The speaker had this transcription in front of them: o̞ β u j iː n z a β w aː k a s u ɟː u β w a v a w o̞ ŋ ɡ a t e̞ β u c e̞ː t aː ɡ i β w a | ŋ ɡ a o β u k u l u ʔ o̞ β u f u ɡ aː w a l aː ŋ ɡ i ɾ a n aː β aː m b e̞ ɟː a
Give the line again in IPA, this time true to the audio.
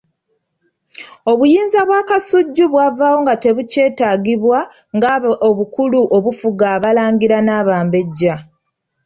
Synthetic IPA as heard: o̞ β u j iː n z a β w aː k a s u ɟː u β w a v a w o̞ ŋ ɡ a t e̞ β u c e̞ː t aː ɡ i β w a | ŋ ɡ a o β u k u l u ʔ o̞ β u f u ɡ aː β a l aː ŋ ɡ i ɾ a n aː β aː m b e̞ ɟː a